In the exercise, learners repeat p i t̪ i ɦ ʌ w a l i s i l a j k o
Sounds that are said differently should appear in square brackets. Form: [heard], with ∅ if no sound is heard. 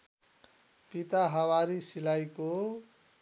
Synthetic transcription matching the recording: p i t̪ [a] ɦ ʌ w a [ɾ] i s i l a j k o